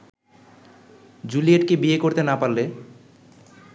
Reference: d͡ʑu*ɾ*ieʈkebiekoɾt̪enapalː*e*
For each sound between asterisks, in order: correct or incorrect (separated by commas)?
incorrect, correct